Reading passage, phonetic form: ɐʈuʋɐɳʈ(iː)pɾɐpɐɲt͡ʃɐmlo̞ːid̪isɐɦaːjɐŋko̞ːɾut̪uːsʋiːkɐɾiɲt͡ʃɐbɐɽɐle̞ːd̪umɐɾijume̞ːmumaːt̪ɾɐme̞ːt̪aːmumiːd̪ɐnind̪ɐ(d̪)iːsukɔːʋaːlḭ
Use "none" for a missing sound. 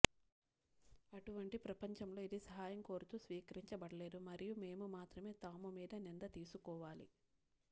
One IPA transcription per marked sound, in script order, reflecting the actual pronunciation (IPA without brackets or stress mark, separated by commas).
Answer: i, t̪